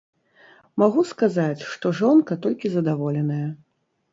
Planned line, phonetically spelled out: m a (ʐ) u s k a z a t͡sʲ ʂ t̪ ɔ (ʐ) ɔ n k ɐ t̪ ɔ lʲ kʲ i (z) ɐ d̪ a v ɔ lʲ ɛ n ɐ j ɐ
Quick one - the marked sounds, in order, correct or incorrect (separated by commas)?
incorrect, correct, correct